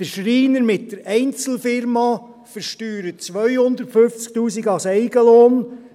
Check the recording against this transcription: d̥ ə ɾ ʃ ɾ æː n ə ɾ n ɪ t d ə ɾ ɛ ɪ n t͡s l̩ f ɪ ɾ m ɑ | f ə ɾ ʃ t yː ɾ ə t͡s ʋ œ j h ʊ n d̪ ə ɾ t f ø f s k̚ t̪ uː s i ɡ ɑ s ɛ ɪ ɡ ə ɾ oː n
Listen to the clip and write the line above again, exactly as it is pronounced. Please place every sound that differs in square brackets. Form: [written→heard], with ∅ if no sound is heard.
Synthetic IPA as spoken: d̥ ə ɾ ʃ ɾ [æː→iː] n ə ɾ [n→m] ɪ t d ə ɾ ɛ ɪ n t͡s l̩ f ɪ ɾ m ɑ | f ə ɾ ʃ t yː ɾ ə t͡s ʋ œ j h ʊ n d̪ ə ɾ t f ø f [s→t͡s] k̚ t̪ uː s i ɡ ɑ s ɛ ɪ ɡ ə [ɾ→l] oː n